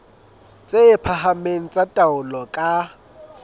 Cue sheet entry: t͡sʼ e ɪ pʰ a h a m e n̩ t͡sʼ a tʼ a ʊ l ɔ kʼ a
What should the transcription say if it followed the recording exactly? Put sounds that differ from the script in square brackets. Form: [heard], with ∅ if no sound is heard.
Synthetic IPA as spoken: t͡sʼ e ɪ pʰ a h a m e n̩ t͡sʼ a tʼ a ʊ l ɔ kʼ a